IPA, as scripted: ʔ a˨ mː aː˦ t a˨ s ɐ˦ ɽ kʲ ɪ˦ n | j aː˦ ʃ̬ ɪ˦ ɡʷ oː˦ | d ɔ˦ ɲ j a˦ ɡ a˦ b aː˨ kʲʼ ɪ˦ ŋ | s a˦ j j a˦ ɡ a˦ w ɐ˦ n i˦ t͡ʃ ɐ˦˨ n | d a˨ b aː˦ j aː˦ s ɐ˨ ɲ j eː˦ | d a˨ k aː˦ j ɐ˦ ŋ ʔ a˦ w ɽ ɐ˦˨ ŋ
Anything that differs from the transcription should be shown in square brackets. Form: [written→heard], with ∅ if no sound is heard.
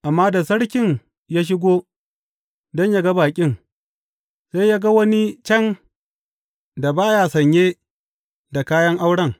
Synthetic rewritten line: ʔ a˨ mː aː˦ [t→d] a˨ s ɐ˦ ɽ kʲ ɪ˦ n | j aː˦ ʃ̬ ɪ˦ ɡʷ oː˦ | d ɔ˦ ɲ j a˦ ɡ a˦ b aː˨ kʲʼ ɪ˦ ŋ | s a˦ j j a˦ ɡ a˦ w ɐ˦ n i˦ t͡ʃ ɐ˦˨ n | d a˨ b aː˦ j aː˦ s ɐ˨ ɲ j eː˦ | d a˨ k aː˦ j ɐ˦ ŋ ʔ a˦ w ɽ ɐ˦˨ ŋ